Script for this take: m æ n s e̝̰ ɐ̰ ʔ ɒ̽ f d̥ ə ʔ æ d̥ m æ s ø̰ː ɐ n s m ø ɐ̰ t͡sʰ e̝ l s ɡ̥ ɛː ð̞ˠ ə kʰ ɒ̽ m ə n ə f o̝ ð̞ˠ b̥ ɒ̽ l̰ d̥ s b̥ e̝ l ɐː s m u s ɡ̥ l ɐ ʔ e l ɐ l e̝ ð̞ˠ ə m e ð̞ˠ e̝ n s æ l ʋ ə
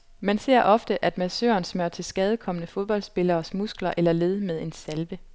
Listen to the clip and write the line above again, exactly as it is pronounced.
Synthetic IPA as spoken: m æ n s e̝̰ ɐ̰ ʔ ɒ̽ f d̥ ə ʔ æ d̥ m æ s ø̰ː ɐ n s m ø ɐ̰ t͡sʰ e̝ l s ɡ̥ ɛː ð̞ˠ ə kʰ ɒ̽ m ə n ə f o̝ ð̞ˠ b̥ ɒ̽ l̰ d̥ s b̥ e̝ l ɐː s m u s ɡ̥ l ɐ ʔ e l ɐ l e̝ ð̞ˠ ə m e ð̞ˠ e̝ n s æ l ʋ ə